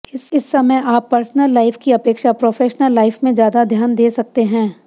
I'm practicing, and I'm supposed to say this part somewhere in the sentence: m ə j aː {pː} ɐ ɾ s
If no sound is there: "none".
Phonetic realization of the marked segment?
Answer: pː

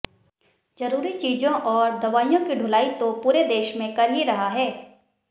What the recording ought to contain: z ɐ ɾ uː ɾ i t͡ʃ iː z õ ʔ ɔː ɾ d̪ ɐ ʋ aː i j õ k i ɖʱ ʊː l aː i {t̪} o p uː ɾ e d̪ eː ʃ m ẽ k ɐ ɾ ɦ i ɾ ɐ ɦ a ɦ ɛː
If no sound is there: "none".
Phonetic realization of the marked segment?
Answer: t̪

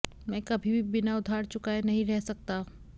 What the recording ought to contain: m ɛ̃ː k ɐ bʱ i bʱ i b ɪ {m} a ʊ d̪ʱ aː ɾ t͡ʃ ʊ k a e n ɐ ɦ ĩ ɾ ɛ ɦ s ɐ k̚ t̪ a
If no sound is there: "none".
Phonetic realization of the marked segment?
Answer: n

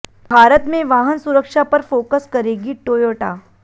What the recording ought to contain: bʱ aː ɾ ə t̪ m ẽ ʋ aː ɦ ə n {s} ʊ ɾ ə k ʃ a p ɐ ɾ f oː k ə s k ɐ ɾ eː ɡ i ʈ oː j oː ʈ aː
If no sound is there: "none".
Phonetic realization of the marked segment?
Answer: s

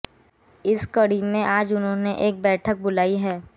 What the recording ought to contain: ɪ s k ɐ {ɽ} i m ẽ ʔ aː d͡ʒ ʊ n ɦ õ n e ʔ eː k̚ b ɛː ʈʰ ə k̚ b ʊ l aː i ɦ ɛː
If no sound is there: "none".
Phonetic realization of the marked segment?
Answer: ɽ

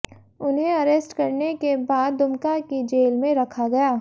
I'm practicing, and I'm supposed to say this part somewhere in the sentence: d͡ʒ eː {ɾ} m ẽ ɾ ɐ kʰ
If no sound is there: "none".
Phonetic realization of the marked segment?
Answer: l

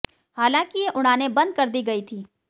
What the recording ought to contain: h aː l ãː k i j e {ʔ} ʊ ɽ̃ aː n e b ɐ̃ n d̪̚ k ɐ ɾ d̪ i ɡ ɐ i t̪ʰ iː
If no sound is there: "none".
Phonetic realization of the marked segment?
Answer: ʔ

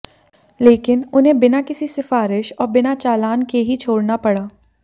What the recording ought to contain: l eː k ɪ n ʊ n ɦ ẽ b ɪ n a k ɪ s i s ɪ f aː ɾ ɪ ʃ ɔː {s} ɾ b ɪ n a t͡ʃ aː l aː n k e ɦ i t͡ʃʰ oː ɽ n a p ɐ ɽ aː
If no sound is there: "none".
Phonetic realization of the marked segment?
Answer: none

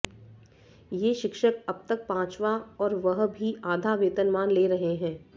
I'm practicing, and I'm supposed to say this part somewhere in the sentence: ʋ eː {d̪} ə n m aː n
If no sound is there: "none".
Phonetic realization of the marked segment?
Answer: t̪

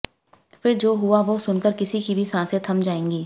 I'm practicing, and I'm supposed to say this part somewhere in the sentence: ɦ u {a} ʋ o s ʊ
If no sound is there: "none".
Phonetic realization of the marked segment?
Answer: a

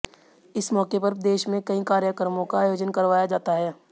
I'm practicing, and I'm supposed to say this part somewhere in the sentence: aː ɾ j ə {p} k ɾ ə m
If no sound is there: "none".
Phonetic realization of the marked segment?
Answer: none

